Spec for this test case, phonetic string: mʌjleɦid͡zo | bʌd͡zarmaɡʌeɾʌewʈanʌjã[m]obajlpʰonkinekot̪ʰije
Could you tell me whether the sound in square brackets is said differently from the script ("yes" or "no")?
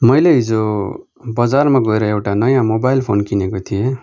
no